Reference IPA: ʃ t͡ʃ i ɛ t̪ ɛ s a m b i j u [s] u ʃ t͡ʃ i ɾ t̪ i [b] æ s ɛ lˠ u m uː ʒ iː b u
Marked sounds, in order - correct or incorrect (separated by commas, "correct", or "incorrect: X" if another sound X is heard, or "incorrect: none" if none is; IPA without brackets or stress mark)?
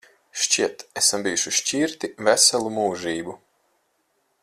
incorrect: ʃ, incorrect: v